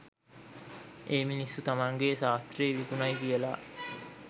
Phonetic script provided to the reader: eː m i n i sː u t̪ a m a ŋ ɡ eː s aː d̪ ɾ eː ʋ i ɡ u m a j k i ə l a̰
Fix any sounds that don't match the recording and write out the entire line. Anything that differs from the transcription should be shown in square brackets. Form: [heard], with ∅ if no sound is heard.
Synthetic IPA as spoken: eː m i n i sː u t̪ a m a ŋ ɡ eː s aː [t̪] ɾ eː ʋ i [k] u [n] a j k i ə l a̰